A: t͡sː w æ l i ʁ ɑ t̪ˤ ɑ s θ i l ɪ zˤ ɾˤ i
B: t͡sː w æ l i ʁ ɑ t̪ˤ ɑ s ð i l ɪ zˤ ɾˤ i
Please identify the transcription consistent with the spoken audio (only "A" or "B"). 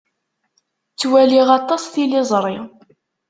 A